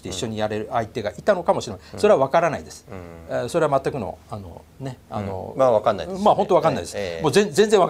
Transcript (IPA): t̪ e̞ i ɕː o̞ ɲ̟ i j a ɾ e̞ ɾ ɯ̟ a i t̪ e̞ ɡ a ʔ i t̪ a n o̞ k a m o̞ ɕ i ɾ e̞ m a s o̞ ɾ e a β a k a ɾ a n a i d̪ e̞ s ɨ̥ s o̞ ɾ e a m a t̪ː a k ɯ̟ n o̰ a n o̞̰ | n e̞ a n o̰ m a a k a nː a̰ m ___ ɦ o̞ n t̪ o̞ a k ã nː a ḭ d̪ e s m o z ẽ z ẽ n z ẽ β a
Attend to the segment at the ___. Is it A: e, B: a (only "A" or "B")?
B